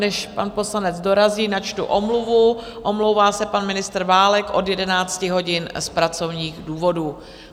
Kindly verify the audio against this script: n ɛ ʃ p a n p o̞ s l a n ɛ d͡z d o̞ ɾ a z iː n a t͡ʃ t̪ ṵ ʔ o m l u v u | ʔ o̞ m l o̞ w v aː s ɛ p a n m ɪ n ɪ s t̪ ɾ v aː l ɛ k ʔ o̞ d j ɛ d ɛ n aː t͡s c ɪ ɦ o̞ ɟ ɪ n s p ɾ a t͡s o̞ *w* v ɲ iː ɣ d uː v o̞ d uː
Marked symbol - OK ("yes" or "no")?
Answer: no